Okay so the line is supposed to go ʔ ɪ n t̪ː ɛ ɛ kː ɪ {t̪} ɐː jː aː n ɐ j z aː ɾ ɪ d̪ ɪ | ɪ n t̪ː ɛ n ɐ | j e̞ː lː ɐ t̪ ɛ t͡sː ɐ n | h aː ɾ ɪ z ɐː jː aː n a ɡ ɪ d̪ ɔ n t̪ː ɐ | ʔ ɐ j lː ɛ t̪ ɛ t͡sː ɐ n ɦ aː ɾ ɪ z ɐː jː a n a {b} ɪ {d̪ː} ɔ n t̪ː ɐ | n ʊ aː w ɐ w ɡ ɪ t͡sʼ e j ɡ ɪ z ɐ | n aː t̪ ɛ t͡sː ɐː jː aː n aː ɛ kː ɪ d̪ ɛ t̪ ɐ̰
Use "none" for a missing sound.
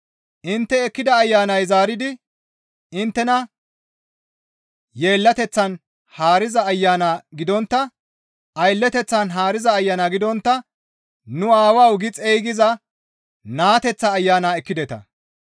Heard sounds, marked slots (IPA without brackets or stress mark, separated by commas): d̪, ɡ, d̪